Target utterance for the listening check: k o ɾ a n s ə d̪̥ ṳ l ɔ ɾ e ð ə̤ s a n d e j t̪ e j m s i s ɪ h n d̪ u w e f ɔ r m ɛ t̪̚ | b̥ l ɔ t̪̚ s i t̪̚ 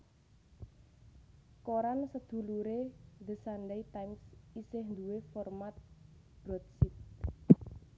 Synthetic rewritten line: k o ɾ a n s ə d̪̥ ṳ l u ɾ e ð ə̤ s a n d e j t̪ a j m s i s ɪ h n d̪ u w e f ɔ r m a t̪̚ | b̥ ɾ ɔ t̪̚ s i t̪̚